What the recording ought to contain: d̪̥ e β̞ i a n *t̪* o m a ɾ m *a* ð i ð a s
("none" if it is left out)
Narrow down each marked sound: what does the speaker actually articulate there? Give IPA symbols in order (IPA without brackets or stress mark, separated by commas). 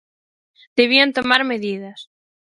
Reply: t̪, e